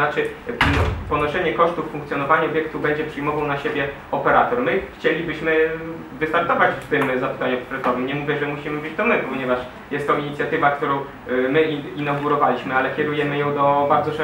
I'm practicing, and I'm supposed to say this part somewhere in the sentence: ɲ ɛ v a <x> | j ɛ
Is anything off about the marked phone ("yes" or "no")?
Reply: yes